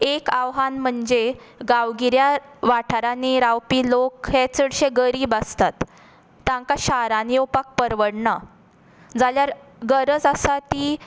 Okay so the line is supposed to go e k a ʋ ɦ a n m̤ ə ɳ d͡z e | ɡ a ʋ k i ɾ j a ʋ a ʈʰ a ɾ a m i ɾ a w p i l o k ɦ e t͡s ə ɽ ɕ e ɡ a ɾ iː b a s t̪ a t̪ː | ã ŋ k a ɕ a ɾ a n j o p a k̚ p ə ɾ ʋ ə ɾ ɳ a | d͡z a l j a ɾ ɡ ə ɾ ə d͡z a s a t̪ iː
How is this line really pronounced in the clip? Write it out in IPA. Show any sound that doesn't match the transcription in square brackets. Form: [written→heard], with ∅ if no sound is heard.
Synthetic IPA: e k a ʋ ɦ a n m̤ ə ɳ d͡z e | ɡ a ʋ [k→ɡ] i ɾ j a ʋ a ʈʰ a ɾ a [m→n] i ɾ a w p i l o k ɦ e t͡s ə ɽ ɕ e ɡ [a→ə] ɾ iː b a s t̪ a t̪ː | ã ŋ k a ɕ a ɾ a n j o p a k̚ p ə ɾ ʋ ə [ɾ→ɽ] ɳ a | d͡z a l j a ɾ ɡ ə ɾ ə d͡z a s a t̪ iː